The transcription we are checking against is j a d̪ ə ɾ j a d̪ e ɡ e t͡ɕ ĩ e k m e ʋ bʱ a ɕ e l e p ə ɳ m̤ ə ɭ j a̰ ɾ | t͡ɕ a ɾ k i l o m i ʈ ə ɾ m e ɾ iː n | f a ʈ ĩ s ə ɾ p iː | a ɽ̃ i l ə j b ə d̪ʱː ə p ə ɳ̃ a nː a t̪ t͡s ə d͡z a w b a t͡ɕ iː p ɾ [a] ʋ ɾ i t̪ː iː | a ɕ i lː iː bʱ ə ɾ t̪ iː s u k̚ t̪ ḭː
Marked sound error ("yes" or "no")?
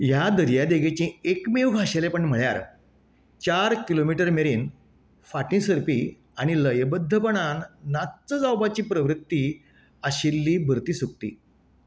yes